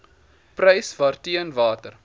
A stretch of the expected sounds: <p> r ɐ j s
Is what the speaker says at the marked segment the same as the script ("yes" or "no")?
yes